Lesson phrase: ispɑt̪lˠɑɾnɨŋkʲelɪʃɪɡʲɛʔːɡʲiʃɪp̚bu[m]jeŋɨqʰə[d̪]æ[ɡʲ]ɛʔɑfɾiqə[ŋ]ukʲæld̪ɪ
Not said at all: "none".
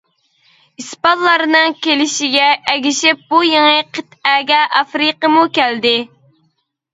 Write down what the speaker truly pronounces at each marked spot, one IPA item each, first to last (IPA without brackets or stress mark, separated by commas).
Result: none, t̪, ɡʲ, m